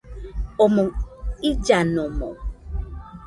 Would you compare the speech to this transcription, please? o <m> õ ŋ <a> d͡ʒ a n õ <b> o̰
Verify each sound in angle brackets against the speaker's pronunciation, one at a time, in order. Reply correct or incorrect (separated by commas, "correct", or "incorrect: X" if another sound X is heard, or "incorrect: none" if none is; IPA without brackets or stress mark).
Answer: correct, incorrect: i, incorrect: m